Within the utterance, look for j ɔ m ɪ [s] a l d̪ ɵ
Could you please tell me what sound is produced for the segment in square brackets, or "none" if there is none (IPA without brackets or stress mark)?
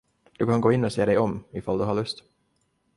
f